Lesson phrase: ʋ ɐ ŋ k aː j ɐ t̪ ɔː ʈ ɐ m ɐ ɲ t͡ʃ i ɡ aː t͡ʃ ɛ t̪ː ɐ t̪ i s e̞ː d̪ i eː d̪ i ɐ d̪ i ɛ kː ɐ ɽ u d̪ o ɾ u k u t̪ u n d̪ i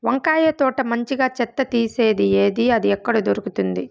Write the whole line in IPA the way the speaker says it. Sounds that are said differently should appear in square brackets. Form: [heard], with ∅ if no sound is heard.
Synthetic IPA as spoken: ʋ ɐ ŋ k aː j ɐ t̪ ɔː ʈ ɐ m ɐ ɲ t͡ʃ i ɡ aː t͡ʃ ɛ t̪ː ɐ t̪ [iː] s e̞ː d̪ i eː d̪ i ɐ d̪ i ɛ kː ɐ ɽ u d̪ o ɾ u k u t̪ u n d̪ i